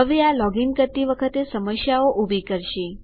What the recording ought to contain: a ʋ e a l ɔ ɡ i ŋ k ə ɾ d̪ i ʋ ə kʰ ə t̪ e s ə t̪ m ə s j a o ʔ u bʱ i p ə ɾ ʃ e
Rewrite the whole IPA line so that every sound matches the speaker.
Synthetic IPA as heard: ə ʋ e a l ɔ ɡ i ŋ k ə ɾ t̪ i ʋ ə kʰ ə t̪ e s ə m ə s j a o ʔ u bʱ i k ə ɾ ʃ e